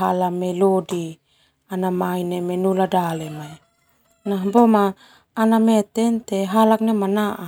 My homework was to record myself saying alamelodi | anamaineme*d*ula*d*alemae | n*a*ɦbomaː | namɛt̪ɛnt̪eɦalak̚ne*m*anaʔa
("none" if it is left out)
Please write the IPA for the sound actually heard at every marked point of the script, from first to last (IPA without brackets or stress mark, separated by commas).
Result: n, d, a, m